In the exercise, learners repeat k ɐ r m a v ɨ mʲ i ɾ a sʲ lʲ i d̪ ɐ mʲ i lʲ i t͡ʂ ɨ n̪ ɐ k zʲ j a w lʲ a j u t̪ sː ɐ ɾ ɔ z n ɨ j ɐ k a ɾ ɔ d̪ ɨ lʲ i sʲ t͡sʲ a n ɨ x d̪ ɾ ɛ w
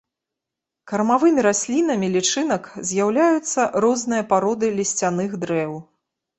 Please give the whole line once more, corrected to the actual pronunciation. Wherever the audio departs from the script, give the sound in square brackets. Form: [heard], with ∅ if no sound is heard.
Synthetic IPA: k ɐ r m a v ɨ mʲ i ɾ a sʲ lʲ i [n̪] ɐ mʲ i lʲ i t͡ʂ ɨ n̪ ɐ k zʲ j a w lʲ a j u t̪ sː ɐ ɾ ɔ z n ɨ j ɐ [p] a ɾ ɔ d̪ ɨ lʲ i sʲ t͡sʲ a n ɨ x d̪ ɾ ɛ w